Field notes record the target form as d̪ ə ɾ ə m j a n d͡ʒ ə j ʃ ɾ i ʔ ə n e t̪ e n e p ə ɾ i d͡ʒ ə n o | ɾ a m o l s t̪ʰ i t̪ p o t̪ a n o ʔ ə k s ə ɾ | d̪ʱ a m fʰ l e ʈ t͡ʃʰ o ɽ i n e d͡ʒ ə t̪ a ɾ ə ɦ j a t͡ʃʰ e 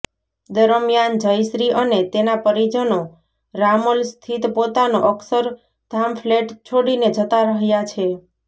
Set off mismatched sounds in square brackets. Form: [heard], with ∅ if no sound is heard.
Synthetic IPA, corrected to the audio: d̪ ə ɾ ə m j a n d͡ʒ ə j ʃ ɾ i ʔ ə n e t̪ e n [a] p ə ɾ i d͡ʒ ə n o | ɾ a m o l s t̪ʰ i t̪ p o t̪ a n o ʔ ə k s ə ɾ | d̪ʱ a m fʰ l e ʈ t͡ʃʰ o ɽ i n e d͡ʒ ə t̪ a ɾ ə ɦ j a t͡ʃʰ e